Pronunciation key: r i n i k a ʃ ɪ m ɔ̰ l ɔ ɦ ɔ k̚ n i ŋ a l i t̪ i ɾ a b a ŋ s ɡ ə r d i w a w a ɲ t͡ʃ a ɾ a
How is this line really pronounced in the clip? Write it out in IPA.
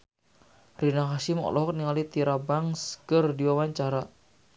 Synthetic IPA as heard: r i n a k a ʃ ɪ m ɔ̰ l ɔ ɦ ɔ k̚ n i ŋ a l i t̪ i ɾ a b a ŋ s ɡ ə r d i w a w a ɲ t͡ʃ a ɾ a